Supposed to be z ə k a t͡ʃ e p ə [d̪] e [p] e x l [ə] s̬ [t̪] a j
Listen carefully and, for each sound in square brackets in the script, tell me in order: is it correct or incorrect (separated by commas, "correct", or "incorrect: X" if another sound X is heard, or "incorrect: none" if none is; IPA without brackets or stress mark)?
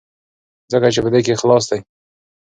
correct, incorrect: k, incorrect: ɑ, incorrect: d̪